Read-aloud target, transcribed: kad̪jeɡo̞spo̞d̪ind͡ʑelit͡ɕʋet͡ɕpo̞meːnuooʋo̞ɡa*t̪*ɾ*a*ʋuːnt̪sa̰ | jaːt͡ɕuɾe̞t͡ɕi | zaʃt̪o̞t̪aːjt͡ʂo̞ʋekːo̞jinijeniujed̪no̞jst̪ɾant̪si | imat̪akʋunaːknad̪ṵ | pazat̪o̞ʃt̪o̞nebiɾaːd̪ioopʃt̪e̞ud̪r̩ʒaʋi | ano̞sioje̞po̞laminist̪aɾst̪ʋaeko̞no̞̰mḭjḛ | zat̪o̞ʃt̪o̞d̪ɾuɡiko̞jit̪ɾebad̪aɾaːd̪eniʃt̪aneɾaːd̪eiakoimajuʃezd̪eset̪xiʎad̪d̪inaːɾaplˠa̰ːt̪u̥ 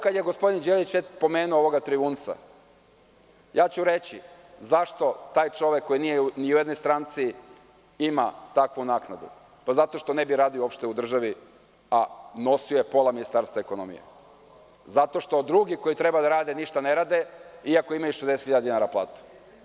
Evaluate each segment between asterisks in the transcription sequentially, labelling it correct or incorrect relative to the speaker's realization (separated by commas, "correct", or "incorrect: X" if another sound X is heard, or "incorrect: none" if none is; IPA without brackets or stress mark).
correct, incorrect: i